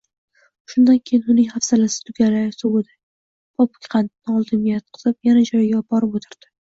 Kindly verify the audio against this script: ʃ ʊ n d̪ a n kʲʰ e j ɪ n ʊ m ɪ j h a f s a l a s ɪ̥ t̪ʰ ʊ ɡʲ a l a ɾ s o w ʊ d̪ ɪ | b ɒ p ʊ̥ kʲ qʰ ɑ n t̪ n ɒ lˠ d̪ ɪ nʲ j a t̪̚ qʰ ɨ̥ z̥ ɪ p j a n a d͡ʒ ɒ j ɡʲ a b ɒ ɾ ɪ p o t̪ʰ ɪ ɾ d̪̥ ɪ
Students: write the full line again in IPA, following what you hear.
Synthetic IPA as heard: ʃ ʊ n d̪ a n kʲʰ e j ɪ n ʊ n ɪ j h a f s a l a s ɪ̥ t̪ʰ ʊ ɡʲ a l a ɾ s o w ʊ d̪ ɪ | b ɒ p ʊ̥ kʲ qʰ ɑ n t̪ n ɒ lˠ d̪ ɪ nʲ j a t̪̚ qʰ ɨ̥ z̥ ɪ p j a n a d͡ʒ ɒ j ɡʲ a b ɒ ɾ ɪ p o t̪ʰ ɪ ɾ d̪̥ ɪ